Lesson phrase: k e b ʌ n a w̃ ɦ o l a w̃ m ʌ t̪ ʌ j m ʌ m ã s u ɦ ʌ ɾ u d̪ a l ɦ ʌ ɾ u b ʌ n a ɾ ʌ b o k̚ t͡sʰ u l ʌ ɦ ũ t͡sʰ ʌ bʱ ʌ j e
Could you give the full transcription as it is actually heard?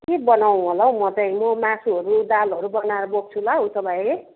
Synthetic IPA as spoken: k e b ʌ n a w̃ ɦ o l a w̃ m ʌ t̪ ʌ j m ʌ m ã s u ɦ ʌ ɾ u d̪ a l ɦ ʌ ɾ u b ʌ n a ɾ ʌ b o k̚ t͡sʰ u l a ɦ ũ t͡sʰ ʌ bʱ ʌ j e